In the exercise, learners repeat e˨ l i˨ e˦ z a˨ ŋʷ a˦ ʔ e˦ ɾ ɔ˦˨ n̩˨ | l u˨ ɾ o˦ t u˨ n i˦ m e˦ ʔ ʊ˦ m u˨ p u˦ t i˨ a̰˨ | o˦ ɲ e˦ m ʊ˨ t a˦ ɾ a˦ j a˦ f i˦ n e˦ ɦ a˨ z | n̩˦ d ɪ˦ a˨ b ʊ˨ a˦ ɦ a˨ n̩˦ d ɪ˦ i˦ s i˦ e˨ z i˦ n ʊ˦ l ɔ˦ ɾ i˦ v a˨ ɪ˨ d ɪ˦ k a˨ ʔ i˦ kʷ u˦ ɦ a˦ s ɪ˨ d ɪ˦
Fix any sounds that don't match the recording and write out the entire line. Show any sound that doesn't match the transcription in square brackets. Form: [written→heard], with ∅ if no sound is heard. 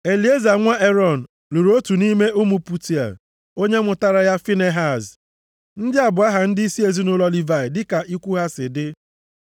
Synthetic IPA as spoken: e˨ l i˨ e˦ z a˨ ŋʷ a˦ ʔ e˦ ɾ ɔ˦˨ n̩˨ | l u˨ ɾ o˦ t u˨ n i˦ m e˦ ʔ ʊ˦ m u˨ p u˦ t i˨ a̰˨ | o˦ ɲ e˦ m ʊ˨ t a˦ ɾ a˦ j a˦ f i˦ n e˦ ɦ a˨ z | n̩˦ d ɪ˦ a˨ b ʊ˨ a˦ ɦ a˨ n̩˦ d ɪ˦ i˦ s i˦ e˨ z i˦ n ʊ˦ l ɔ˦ [ɾ→l] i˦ v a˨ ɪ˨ d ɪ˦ k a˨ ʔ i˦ kʷ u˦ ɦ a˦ s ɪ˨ d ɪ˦

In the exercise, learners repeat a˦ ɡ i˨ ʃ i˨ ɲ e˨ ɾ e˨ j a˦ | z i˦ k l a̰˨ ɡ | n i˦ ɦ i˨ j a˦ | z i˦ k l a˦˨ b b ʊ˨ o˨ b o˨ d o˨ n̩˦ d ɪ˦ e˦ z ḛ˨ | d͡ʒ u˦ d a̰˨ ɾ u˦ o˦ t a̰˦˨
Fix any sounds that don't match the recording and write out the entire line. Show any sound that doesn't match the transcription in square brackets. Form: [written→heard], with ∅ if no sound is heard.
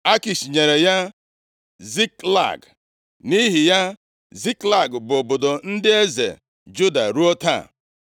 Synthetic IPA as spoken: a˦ [ɡ→k] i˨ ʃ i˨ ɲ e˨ ɾ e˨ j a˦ | z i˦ k l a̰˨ ɡ | n i˦ ɦ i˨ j a˦ | z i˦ k l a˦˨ [b→ɡ] b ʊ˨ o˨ b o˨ d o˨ n̩˦ d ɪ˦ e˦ z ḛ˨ | d͡ʒ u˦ d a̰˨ ɾ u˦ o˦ t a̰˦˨

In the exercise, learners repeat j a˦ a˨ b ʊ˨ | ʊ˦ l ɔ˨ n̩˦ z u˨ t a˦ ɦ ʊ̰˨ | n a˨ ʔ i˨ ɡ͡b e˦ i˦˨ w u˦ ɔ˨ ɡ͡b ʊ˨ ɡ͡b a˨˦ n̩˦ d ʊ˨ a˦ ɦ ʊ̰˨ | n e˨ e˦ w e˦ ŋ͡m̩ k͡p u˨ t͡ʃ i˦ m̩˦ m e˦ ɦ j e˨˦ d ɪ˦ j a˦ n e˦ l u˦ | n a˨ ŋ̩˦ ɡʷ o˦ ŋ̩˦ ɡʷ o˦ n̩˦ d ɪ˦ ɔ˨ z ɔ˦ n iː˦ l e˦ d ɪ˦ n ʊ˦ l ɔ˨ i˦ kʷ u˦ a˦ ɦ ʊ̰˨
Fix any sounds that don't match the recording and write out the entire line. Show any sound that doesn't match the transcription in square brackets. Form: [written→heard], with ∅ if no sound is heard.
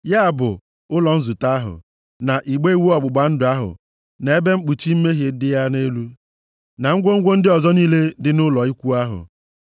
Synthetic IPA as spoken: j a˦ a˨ b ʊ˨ | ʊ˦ l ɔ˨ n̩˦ z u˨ t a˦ ɦ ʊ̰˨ | n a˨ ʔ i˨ ɡ͡b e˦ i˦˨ w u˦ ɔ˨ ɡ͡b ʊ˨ ɡ͡b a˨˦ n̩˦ d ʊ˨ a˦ ɦ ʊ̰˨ | n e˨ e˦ [w→b] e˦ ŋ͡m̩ k͡p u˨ t͡ʃ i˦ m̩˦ m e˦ ɦ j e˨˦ d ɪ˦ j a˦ n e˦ l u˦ | n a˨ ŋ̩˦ ɡʷ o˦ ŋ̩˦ ɡʷ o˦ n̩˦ d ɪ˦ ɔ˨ z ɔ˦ n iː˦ l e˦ d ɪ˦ n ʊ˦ l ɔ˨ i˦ kʷ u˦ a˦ ɦ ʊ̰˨

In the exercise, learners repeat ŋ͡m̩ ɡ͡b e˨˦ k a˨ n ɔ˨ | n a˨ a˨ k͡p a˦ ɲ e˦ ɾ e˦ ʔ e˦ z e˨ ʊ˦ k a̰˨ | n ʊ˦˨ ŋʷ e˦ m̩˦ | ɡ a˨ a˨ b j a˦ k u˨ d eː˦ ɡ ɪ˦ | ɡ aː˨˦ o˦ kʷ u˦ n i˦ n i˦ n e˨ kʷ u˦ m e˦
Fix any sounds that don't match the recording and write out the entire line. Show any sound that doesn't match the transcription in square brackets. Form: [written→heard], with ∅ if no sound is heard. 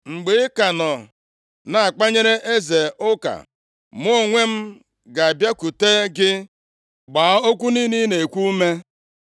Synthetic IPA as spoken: ŋ͡m̩ ɡ͡b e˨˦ k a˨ n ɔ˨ | n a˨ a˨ k͡p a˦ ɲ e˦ ɾ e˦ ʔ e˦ z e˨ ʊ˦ k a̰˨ | [n→m] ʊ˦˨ ŋʷ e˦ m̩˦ | ɡ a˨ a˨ b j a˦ k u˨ [d→t] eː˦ ɡ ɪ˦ | [ɡ→ɡ͡b] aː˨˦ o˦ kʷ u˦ n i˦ n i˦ n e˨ kʷ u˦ m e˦

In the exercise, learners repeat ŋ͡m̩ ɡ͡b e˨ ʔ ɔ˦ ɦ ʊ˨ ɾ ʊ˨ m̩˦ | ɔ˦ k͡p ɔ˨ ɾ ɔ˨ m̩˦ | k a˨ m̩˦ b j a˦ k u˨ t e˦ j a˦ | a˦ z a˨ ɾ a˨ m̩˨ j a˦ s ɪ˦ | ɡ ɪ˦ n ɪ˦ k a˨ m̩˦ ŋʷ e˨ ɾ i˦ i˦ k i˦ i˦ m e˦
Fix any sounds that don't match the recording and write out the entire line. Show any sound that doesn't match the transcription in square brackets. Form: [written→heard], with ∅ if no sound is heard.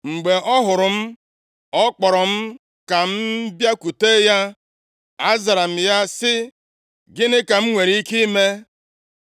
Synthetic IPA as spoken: ŋ͡m̩ ɡ͡b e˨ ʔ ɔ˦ ɦ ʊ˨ ɾ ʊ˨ m̩˦ | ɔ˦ k͡p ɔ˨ ɾ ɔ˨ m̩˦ | k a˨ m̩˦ b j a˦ k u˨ t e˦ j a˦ | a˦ z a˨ ɾ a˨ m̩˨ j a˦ s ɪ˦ | ɡ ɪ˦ n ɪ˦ k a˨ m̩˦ ŋʷ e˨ ɾ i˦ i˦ k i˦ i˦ m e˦

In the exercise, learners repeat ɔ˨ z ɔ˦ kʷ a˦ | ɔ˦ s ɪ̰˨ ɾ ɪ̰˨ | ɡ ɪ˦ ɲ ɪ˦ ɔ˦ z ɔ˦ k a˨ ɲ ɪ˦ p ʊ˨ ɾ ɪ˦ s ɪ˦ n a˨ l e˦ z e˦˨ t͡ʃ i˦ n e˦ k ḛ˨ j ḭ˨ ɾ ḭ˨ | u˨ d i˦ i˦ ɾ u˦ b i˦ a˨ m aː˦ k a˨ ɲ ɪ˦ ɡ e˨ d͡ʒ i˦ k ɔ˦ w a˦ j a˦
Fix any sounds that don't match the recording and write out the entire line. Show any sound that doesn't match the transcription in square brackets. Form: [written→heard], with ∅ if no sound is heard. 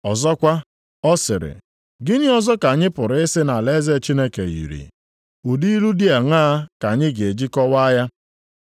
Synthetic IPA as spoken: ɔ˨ z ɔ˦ kʷ a˦ | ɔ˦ s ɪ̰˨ ɾ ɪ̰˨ | ɡ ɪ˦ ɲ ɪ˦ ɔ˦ z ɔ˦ k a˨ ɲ ɪ˦ p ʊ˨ ɾ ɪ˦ s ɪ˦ n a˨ l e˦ z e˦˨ t͡ʃ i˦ n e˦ k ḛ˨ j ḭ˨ ɾ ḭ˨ | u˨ d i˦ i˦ ɾ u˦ [b→d] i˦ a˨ [m→ŋ] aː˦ k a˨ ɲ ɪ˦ ɡ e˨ d͡ʒ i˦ k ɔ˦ w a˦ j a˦

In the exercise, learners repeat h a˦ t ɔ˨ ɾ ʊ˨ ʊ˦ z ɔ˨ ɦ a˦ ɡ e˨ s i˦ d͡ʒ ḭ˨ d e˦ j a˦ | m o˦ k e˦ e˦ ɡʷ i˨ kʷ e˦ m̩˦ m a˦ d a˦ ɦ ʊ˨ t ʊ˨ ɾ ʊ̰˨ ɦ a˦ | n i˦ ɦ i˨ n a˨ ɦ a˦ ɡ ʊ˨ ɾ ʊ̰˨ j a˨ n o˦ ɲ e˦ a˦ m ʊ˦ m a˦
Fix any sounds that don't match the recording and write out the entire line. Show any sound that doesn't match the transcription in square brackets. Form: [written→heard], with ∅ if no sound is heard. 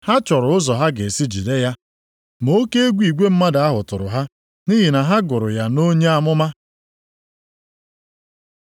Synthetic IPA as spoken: h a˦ [t→t͡ʃ] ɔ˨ ɾ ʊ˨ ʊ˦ z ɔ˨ ɦ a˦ ɡ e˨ s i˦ d͡ʒ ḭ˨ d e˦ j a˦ | m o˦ k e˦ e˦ ɡʷ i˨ [kʷ→ɡʷ] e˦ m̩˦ m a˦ d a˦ ɦ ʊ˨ t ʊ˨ ɾ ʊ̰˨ ɦ a˦ | n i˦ ɦ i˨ n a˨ ɦ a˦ ɡ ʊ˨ ɾ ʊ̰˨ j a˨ n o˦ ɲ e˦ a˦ m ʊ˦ m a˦

